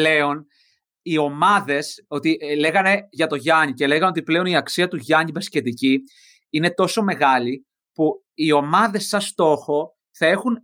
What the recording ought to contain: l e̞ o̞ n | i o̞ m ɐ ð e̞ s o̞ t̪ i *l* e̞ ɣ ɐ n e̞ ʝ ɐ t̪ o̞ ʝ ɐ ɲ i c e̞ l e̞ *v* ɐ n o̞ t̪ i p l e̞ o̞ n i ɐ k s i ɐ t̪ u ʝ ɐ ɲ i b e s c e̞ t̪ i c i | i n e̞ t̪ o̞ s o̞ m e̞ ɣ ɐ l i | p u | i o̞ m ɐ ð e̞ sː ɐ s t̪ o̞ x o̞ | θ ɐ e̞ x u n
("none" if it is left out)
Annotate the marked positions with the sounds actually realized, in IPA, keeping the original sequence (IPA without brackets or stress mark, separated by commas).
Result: l, ɣ